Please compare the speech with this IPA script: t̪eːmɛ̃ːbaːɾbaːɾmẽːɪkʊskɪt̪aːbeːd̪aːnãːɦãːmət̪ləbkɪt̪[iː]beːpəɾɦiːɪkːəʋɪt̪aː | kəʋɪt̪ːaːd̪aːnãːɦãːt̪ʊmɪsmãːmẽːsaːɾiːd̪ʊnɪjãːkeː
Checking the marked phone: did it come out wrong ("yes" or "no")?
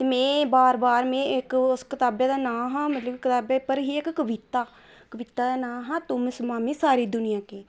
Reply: yes